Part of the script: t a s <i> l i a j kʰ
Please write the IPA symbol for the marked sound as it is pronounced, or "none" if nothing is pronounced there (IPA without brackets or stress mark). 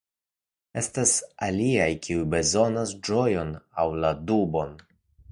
a